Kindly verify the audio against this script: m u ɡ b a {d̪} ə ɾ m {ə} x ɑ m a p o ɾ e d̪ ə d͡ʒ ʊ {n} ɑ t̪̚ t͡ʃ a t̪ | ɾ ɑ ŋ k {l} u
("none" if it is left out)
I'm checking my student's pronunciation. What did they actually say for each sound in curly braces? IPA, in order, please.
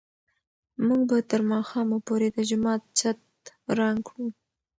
t̪, ɑ, m, ɽ

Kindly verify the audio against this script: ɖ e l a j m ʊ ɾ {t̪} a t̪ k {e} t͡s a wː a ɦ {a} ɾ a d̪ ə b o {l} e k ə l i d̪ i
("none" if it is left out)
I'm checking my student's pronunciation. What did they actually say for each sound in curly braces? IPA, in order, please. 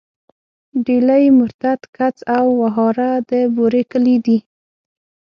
t̪, a, ɑ, ɾ

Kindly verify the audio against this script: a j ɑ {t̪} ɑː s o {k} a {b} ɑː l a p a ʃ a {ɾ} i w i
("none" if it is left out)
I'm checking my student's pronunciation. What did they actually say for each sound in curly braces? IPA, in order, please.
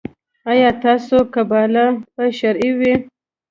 t̪, k, b, ɾ

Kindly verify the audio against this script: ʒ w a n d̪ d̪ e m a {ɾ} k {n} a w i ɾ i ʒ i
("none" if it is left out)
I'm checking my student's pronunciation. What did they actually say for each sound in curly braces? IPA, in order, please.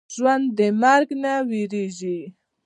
ɾ, n

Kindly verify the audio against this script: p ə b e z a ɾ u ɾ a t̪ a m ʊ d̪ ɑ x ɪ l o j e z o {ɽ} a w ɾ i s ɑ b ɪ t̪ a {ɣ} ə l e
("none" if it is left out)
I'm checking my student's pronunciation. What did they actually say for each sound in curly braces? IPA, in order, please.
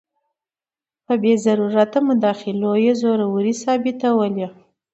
ɾ, w

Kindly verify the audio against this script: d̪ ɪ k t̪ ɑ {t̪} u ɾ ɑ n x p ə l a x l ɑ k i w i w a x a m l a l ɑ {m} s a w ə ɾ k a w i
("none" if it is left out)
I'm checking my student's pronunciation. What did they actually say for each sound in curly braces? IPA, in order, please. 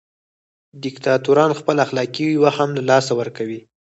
t̪, none

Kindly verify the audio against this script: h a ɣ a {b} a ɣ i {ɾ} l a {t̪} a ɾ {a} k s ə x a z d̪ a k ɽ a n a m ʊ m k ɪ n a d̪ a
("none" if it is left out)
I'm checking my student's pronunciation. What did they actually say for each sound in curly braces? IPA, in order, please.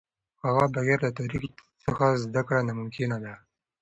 b, ɾ, t̪, i

